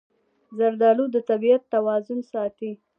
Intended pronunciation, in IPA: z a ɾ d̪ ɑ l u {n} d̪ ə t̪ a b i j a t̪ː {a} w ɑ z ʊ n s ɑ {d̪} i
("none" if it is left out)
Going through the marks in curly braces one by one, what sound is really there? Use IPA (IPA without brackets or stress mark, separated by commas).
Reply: none, a, t̪